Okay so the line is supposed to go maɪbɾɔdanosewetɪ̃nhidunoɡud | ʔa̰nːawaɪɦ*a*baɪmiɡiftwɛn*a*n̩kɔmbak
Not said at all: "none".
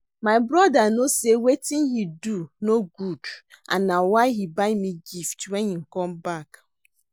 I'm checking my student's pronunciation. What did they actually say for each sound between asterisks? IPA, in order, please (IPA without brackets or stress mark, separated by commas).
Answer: i, i